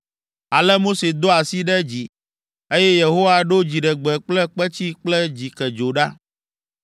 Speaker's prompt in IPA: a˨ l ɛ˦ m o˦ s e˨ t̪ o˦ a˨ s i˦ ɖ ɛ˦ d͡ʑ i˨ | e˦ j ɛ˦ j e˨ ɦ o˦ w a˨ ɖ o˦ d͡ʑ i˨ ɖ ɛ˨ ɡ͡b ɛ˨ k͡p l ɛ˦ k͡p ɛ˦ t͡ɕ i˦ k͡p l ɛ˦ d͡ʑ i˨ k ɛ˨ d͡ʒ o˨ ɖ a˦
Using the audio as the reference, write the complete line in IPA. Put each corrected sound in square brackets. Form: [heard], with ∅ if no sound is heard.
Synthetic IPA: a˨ l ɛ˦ m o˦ s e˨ [d̪] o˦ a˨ s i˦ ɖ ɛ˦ d͡ʑ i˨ | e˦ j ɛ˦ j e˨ ɦ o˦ w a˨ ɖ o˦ d͡ʑ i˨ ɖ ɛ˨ ɡ͡b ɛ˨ k͡p l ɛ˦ k͡p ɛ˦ t͡ɕ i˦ k͡p l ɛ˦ d͡ʑ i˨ k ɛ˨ d͡ʒ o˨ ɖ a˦